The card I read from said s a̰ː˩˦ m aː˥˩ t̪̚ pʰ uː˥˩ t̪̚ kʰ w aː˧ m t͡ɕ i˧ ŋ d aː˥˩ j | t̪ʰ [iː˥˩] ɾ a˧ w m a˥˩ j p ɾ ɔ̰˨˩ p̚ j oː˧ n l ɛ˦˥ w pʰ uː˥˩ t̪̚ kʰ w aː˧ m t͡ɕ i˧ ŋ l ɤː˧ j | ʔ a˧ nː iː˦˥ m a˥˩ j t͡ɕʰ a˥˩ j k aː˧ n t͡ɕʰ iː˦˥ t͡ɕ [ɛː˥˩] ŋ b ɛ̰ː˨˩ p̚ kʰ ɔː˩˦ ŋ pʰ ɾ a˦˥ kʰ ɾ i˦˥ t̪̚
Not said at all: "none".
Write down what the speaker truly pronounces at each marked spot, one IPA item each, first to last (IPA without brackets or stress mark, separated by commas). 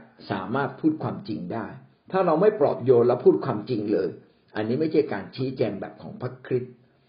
aː˥˩, ɛː˧